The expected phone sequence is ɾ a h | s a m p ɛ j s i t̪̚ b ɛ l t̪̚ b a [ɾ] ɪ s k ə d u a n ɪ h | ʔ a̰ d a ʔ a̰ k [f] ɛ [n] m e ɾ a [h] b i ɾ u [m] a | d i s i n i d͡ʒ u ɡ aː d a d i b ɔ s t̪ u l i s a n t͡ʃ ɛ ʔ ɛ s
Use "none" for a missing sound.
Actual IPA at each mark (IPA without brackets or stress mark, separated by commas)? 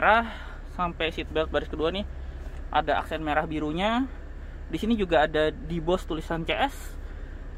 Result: ɾ, s, n, h, ɲ